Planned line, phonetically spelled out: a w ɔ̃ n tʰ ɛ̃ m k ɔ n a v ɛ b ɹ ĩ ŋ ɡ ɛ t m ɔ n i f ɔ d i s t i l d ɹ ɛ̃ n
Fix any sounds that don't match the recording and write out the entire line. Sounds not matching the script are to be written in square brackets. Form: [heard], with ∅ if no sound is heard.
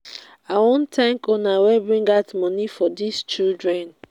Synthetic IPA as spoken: a w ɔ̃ n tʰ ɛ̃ [ŋ] k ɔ n a [w] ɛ b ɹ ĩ ŋ ɡ [a] t m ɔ n i f ɔ d i s [t͡ʃ] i l d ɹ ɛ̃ n

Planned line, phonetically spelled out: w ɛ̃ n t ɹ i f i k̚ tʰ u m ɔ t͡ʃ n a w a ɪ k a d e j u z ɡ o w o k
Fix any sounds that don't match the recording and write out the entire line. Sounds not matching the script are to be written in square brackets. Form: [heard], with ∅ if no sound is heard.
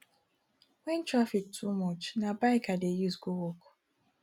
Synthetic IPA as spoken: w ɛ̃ n t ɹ [a] f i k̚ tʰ u m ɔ t͡ʃ n a [b] a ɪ k a d e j u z ɡ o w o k

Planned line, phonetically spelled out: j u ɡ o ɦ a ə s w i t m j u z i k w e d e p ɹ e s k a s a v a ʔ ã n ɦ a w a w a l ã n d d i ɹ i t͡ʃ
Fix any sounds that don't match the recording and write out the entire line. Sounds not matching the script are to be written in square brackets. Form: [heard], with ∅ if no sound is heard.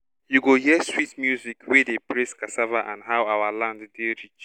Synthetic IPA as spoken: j u ɡ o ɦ [i] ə s w i t m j u z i k w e d e p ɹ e s k a s a v a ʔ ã n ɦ a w a w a l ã n d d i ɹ i t͡ʃ

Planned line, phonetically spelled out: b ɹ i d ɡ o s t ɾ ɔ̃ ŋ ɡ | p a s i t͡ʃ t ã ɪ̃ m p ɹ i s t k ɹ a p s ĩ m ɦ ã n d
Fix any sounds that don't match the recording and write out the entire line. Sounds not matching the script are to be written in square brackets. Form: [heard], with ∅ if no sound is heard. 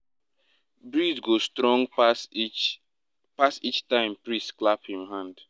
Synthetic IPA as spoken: b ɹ i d ɡ o s t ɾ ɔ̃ ŋ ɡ | p a s i t͡ʃ t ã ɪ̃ m p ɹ i s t k [l] a p [h] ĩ m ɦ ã n d

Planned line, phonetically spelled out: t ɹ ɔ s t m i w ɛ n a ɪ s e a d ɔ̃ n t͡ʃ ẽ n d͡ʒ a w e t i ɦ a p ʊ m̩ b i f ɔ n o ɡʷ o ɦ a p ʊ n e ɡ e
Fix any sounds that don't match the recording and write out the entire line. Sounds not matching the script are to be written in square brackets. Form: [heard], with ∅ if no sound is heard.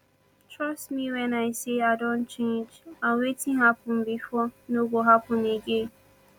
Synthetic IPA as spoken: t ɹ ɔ s t m i w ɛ n a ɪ s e a d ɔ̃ n t͡ʃ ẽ n d͡ʒ a w e t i ɦ a p ʊ m̩ b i f ɔ n o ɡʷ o ɦ a p ʊ n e ɡ e

